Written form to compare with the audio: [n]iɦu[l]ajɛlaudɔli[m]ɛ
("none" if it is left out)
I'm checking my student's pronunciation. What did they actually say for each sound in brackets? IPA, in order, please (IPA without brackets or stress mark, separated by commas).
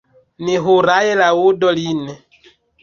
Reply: n, ɾ, n